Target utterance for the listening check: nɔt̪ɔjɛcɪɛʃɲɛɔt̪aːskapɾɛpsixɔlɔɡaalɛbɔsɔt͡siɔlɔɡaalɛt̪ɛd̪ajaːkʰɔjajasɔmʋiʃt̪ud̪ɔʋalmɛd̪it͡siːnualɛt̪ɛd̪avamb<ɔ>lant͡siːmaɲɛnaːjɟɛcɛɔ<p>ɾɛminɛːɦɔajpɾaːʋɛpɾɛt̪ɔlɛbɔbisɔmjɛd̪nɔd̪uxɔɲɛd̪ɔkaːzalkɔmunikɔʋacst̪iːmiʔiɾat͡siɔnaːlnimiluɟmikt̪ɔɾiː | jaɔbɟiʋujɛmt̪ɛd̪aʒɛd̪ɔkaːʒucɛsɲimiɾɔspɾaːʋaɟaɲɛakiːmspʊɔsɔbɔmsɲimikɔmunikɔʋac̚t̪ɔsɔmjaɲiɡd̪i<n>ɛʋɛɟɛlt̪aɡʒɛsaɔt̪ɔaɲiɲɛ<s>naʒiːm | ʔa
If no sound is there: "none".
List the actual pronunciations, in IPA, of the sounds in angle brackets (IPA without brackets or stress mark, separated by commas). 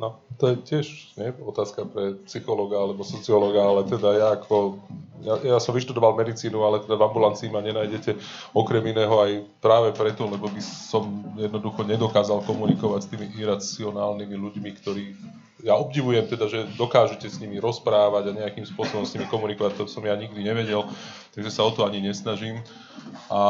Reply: u, k, ɲ, s